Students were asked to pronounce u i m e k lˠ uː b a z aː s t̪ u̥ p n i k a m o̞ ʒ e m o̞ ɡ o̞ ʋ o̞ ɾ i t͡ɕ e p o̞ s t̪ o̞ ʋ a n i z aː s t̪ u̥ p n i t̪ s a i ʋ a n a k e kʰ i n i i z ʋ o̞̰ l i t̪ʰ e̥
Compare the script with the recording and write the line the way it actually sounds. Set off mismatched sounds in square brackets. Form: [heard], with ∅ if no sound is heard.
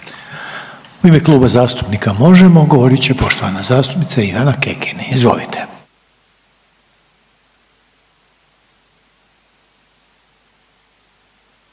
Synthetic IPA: u i m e k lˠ uː b a z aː s t̪ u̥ p n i k a m o̞ ʒ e m o̞ ɡ o̞ ʋ o̞ ɾ i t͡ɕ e p o̞ [ʃ] t̪ o̞ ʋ a n [a] z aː s t̪ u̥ p n i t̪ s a i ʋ a n a k e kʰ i n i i z ʋ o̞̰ l i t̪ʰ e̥